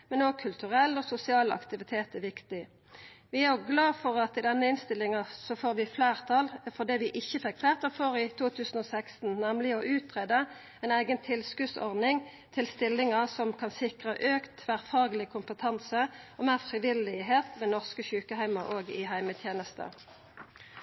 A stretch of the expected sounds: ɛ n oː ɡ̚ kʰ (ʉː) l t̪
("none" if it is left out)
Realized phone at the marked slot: ʉ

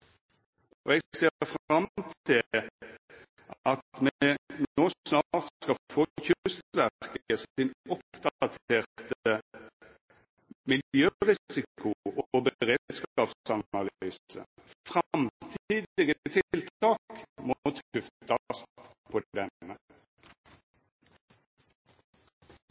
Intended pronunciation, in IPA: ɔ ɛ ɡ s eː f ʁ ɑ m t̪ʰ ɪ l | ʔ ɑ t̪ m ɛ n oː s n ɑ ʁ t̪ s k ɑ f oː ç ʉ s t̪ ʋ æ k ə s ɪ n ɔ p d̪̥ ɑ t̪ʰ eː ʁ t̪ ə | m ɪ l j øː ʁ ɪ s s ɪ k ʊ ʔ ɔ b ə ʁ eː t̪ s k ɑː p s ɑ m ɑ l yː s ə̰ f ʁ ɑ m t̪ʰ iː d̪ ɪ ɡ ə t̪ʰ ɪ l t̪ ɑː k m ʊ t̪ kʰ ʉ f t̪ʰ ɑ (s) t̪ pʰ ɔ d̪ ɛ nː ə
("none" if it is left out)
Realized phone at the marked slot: s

